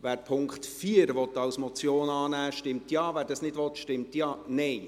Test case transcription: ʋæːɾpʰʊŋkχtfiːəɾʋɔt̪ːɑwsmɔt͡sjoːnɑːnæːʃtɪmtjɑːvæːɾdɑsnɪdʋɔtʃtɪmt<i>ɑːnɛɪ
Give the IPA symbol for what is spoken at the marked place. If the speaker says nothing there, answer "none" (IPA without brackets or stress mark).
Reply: j